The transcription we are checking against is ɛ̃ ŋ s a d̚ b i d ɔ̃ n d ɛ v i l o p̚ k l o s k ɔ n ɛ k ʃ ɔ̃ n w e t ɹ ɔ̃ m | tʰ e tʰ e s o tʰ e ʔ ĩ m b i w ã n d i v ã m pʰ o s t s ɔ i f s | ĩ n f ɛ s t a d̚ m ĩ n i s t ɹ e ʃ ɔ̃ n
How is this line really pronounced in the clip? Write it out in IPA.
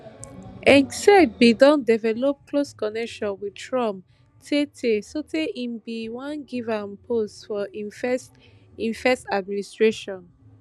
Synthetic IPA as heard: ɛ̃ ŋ s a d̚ b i d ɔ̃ n d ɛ v ɛ l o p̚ k l o s k ɔ n ɛ k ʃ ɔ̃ n w i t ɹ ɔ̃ m | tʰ e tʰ e s o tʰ e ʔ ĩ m b i w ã n ɡ i v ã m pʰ o s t f ɔ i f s | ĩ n f ɛ s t a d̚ m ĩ n i s t ɹ e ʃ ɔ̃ n